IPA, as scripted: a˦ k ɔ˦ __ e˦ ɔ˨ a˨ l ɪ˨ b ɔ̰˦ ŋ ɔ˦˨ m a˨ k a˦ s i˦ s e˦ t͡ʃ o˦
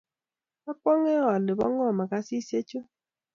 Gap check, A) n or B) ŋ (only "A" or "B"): B